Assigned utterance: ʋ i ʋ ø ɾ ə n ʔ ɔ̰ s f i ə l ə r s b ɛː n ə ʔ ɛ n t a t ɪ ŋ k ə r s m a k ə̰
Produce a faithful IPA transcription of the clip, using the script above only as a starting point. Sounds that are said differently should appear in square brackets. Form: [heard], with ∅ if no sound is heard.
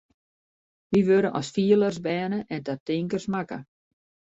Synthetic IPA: ʋ i ʋ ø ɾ ə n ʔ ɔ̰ s f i ə l ə r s b ɛː n ə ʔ ɛ n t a t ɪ ŋ k ə r s m a k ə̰